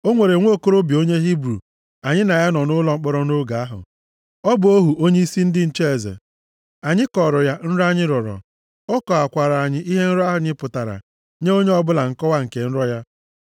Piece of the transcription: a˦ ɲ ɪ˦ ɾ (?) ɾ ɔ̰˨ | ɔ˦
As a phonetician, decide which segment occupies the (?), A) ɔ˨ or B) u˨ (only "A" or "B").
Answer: A